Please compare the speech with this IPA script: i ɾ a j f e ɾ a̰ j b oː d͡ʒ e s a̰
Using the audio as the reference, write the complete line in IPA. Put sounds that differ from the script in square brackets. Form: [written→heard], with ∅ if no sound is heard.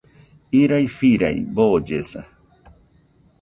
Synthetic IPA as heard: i ɾ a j f [e→i] ɾ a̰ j b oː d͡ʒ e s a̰